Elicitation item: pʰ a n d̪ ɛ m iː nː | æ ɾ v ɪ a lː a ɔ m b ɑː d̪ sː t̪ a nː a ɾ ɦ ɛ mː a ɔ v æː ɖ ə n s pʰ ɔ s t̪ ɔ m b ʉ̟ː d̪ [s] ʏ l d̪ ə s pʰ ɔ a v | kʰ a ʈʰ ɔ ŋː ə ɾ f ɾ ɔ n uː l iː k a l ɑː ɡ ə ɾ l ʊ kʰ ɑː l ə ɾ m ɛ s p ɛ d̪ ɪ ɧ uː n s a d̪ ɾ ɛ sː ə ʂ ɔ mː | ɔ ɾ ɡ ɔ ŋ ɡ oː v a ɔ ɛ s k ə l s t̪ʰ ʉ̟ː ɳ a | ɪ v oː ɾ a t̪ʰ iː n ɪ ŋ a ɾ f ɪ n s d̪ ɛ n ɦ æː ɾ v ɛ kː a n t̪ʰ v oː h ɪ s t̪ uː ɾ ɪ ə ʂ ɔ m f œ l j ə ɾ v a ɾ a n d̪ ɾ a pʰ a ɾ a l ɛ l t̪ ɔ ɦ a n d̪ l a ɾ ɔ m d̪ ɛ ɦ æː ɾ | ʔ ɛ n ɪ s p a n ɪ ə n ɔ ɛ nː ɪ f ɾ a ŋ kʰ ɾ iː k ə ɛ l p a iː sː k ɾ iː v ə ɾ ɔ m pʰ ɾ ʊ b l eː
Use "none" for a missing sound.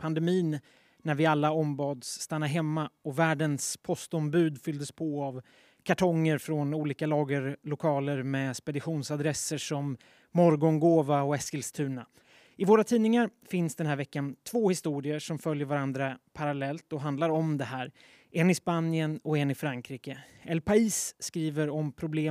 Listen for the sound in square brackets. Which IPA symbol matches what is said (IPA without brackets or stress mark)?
f